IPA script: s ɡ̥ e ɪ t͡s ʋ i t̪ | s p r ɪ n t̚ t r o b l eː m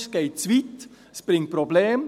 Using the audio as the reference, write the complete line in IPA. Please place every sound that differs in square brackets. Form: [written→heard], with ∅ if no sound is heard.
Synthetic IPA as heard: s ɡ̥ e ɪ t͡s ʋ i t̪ | s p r ɪ [n→ŋ] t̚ [t→p] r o b l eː m

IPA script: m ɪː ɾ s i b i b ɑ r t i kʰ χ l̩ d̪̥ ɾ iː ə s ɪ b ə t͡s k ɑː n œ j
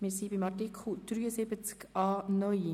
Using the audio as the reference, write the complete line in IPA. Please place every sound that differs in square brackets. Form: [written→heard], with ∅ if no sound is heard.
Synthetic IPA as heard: m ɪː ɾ s i b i [b→m] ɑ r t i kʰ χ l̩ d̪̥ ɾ [iː→yː] ə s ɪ b ə t͡s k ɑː n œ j

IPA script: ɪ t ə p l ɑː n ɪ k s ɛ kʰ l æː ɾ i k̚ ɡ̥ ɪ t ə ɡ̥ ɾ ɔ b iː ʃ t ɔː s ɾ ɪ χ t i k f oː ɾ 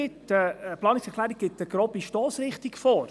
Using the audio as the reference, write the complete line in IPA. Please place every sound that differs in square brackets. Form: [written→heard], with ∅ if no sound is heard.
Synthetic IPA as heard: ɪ t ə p l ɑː n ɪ k s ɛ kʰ l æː ɾ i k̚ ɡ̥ ɪ t ə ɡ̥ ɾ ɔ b [iː→i] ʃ t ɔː s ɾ ɪ χ t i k f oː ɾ

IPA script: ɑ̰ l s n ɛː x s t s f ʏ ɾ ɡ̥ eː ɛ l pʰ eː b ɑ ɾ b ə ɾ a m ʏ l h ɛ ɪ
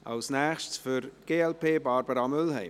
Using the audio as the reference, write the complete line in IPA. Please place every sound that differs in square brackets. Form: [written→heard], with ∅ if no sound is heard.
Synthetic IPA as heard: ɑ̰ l s n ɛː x [s→ʃ] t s f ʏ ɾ ɡ̥ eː ɛ l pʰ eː b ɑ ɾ b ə ɾ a m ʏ l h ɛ ɪ

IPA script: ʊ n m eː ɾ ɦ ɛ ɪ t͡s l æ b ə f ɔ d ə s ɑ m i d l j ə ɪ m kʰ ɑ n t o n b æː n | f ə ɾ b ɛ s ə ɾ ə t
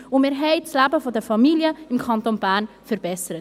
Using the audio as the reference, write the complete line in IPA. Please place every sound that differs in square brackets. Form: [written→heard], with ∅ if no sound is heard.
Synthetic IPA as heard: ʊ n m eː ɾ ɦ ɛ ɪ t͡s l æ b ə f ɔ d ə [s→f] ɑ m i [d→∅] l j ə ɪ m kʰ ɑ n t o n b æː n | f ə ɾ b ɛ s ə ɾ ə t

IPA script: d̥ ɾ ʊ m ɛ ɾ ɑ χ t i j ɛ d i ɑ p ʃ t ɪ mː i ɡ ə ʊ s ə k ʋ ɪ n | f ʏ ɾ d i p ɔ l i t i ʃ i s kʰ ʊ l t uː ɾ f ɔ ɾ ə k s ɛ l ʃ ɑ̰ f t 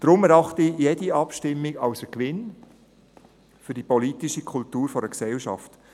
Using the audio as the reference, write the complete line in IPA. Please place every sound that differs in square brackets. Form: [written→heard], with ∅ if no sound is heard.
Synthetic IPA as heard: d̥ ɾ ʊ m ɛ ɾ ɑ χ t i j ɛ d i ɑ p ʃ t ɪ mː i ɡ [ə→ɑ] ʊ s ə k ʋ ɪ n | f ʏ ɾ d i p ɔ l i t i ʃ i [s→∅] kʰ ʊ l t uː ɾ f ɔ ɾ ə k s ɛ l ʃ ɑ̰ f t

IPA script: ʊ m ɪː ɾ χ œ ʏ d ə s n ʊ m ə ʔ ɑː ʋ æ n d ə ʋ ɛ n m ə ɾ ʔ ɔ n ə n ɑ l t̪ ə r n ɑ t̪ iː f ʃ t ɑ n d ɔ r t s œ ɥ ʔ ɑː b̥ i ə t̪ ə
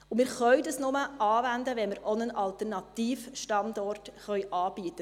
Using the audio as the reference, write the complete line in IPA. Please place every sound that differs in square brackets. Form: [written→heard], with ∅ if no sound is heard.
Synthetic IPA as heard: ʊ m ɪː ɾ χ œ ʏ d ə s n ʊ m ə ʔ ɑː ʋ æ n d ə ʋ ɛ n m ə ɾ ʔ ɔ n ə n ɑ l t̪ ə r n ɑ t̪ iː f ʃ t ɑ n d ɔ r t [s→χ] œ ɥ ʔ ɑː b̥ i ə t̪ ə

